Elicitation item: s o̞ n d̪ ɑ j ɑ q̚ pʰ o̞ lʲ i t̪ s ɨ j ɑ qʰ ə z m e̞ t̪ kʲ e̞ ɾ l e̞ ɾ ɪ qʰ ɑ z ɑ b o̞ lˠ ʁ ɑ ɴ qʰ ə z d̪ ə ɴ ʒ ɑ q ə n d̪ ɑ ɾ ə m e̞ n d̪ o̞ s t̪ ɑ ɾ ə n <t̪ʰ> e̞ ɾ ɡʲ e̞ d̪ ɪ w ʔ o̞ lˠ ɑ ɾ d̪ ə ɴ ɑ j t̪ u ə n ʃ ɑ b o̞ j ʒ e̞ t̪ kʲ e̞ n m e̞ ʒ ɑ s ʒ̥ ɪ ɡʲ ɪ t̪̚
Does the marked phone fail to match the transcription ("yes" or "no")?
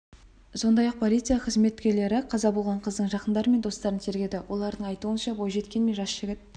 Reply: no